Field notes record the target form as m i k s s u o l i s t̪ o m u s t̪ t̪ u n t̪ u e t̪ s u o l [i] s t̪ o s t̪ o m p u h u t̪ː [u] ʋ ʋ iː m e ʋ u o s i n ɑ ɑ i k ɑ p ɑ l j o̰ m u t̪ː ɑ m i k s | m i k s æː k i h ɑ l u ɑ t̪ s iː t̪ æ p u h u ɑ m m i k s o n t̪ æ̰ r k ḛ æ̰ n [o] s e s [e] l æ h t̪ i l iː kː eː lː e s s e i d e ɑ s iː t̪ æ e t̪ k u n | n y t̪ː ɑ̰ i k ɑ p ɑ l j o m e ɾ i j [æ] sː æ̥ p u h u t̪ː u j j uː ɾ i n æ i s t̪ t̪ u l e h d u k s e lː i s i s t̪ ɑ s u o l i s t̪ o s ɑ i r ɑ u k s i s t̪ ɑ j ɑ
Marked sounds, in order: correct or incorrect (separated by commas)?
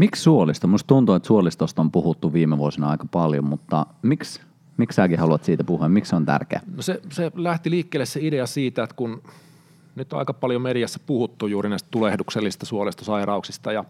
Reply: correct, correct, correct, correct, correct